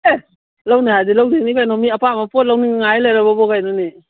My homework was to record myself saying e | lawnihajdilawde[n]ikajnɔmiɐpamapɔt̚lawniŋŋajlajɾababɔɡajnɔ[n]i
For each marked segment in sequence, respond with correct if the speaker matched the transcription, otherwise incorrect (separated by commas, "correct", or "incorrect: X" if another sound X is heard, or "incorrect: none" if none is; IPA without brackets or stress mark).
correct, correct